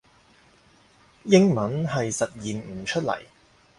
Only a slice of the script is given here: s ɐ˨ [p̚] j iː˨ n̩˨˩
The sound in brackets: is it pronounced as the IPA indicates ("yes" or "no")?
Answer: no